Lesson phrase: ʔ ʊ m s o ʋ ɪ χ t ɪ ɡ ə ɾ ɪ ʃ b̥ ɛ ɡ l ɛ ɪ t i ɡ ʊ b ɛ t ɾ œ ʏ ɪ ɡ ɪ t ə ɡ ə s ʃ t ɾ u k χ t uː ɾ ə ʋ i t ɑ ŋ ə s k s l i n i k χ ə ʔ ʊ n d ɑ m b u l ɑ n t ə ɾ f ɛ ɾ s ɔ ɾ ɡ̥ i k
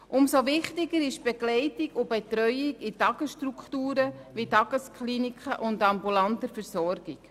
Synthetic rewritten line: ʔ ʊ m s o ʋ ɪ χ t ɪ ɡ ə ɾ ɪ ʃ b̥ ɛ ɡ l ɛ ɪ t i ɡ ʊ b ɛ t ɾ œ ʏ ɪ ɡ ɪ t ɑ ɡ ə s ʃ t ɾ u k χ t uː ɾ ə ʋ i t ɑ ɡ ə s k χ l i n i k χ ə ʔ ʊ n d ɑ m b u l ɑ n t ə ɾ f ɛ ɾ s ɔ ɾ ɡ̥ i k